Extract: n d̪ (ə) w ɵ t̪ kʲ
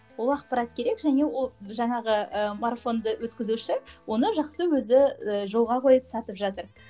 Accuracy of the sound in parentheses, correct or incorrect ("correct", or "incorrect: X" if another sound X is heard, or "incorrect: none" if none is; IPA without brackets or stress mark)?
correct